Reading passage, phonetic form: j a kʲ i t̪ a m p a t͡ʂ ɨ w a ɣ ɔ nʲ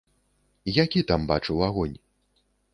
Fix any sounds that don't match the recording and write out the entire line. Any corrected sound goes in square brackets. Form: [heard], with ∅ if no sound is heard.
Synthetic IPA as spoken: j a kʲ i t̪ a m [b] a t͡ʂ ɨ w a ɣ ɔ nʲ